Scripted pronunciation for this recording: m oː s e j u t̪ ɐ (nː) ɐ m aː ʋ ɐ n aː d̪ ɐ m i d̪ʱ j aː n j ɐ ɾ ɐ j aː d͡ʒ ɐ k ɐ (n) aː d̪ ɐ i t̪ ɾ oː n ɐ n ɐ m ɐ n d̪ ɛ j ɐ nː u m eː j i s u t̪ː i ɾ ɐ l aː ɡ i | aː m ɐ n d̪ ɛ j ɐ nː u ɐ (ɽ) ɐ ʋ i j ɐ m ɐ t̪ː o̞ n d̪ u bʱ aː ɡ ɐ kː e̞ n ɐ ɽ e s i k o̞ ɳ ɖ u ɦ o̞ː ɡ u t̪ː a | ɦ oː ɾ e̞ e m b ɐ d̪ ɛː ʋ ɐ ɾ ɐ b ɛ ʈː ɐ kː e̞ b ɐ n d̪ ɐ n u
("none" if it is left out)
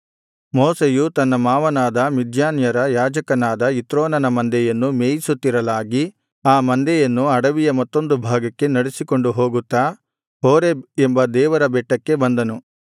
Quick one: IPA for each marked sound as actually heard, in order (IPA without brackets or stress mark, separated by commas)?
nː, n, ɽ